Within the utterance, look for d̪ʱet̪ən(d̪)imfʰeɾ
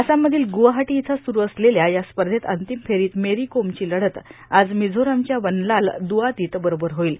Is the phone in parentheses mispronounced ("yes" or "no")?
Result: yes